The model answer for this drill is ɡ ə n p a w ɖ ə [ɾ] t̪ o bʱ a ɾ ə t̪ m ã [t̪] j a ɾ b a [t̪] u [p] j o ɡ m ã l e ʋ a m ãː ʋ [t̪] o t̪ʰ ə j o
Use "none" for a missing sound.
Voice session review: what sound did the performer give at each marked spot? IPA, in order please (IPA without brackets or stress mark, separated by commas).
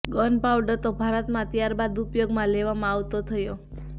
ɾ, t̪, d̪, p, t̪